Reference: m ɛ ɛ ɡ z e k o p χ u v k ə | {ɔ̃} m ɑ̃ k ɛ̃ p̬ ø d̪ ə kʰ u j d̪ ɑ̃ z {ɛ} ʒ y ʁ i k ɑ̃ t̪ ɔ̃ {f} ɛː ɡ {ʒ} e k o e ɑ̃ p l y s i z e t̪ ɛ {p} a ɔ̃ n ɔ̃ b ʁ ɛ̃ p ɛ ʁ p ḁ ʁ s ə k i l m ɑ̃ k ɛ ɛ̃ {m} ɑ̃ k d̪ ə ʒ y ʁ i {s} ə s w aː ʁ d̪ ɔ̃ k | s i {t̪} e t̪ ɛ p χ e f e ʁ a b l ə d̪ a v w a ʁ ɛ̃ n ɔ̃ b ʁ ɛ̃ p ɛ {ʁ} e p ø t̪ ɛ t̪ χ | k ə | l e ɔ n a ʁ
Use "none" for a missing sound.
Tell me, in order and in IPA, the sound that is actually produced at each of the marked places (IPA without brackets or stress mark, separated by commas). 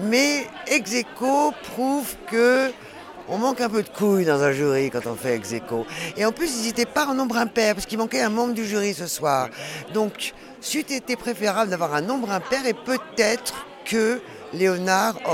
ɔ̃, ɛ̃, f, z, p, m, s, t̪, ʁ